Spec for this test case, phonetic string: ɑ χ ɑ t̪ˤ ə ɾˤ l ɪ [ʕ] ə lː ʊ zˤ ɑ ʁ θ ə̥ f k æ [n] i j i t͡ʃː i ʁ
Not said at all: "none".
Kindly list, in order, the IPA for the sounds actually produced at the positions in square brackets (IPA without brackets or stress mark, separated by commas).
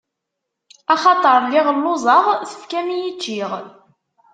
ʁ, m